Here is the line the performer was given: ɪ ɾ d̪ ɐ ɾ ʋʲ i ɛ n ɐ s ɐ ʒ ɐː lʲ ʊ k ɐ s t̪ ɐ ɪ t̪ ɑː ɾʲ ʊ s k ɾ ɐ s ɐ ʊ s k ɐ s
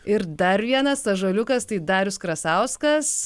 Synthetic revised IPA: ɪ ɾ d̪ ɐ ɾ ʋʲ i ɛ n ɐ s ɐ ʒ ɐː lʲ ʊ k ɐ s t̪ ɐ ɪ d̪ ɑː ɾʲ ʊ s k ɾ ɐ s ɐ ʊ s k ɐ s